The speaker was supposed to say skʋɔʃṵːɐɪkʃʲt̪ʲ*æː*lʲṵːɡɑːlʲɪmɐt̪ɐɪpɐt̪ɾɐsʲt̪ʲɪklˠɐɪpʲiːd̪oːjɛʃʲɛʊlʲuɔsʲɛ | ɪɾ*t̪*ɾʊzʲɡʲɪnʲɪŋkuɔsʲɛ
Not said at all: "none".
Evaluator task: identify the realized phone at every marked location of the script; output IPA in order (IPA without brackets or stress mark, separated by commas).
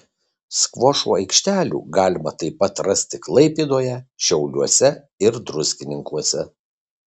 æː, d̪